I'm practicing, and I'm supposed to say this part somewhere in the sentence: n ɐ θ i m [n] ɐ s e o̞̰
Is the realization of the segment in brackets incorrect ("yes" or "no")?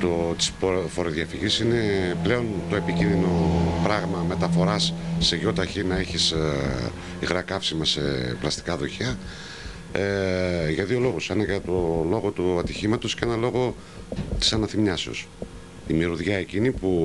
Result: yes